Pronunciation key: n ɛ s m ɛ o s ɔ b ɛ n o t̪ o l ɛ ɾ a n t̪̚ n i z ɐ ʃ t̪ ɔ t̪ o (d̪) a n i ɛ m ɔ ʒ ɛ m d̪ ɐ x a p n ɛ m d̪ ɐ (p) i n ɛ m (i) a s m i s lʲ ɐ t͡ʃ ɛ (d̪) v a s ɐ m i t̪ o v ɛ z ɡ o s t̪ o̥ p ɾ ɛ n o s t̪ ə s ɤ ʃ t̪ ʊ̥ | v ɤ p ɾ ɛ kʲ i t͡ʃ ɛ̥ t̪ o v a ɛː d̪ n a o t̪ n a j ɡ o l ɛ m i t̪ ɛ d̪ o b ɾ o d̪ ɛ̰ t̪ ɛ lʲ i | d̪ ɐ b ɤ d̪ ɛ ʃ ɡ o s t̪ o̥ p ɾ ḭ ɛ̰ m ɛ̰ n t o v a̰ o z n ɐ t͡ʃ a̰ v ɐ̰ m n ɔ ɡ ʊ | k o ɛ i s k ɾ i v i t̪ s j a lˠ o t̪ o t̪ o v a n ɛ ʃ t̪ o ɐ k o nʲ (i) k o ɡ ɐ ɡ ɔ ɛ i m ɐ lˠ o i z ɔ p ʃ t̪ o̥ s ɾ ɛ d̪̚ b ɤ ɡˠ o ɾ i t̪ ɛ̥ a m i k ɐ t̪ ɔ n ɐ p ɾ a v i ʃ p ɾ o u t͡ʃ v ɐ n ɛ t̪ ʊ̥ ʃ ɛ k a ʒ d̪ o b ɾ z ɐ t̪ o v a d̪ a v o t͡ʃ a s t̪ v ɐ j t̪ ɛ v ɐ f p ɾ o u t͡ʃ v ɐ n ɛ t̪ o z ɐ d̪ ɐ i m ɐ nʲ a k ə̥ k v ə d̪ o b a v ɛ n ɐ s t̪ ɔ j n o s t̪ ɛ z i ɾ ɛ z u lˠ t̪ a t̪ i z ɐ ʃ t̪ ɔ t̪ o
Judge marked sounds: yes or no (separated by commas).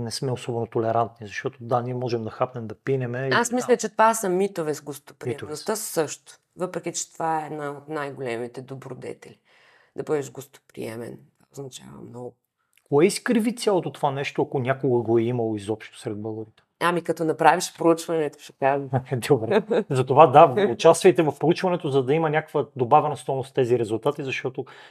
yes, yes, no, no, no